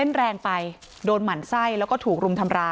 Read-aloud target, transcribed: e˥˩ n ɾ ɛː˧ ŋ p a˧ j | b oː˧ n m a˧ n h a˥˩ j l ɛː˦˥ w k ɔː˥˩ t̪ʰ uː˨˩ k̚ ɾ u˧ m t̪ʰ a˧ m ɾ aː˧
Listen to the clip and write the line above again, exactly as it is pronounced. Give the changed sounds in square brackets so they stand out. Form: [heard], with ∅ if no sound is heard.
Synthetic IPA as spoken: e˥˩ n ɾ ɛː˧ ŋ p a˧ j | [d] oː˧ n m [a˩˦] n [s] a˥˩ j l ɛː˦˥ w k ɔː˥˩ t̪ʰ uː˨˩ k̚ ɾ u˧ m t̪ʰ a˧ m ɾ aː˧